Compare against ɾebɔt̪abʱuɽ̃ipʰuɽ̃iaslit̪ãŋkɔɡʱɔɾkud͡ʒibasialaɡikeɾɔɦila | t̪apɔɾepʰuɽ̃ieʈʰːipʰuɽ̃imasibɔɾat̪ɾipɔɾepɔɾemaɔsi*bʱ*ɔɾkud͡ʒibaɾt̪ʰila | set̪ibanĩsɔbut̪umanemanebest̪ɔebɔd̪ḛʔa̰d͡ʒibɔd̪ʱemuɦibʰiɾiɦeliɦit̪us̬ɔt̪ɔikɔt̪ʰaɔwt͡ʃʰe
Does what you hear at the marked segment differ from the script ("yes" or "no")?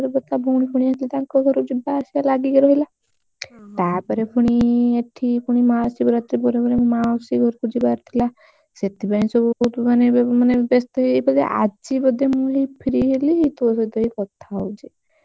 yes